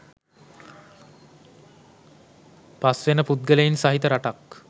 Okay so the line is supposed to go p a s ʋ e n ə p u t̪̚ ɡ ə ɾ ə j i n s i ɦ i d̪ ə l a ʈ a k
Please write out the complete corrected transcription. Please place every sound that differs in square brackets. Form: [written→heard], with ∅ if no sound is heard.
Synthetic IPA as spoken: p a s ʋ e n ə p u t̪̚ ɡ ə [ɾ→l] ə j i n s [i→a] ɦ i [d̪→t̪] ə [l→ɾ] a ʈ a k